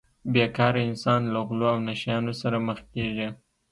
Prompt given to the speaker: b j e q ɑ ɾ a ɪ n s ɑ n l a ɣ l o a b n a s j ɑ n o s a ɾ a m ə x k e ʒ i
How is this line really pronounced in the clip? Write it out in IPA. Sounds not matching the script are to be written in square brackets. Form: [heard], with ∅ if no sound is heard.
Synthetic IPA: b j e [k] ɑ ɾ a ɪ n s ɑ n l a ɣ l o a [w] n a [ʃ] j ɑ n o s a ɾ a m ə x k e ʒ i